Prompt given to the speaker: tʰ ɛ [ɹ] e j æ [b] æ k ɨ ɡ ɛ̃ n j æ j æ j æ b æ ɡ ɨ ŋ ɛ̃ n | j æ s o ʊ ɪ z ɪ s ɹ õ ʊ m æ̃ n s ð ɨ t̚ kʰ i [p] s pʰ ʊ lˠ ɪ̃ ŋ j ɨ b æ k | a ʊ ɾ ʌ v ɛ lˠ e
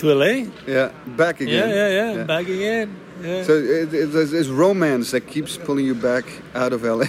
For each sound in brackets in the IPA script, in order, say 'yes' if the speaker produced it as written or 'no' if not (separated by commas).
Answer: no, yes, yes